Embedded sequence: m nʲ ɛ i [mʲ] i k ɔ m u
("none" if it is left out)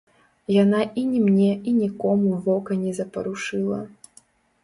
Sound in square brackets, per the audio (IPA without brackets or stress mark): nʲ